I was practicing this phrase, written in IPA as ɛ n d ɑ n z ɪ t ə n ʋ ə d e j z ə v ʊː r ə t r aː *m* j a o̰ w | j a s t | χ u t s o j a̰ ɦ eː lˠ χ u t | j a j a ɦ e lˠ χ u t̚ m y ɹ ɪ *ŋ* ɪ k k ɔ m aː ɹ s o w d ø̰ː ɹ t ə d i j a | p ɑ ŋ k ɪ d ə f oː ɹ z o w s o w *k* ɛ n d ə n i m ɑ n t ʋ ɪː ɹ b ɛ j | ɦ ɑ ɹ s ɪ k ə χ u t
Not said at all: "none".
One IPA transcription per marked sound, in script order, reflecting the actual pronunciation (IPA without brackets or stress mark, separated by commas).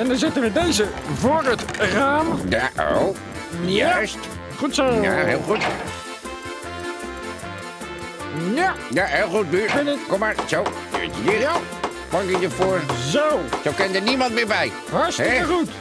m, n, k